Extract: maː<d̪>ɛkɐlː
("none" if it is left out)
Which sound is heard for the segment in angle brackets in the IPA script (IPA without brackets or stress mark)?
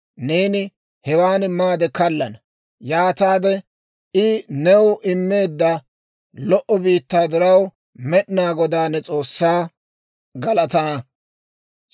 d̪